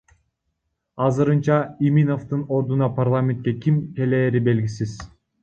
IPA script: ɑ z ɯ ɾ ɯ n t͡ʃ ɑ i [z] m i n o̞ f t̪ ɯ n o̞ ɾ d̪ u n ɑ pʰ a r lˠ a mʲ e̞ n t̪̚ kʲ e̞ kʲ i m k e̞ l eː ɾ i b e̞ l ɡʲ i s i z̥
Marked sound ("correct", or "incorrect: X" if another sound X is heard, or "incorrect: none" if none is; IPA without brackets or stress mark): incorrect: none